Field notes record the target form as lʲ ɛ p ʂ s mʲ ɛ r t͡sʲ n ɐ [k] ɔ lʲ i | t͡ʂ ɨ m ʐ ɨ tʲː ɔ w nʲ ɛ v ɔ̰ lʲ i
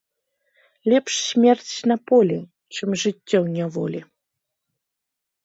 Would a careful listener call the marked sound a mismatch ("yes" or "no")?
yes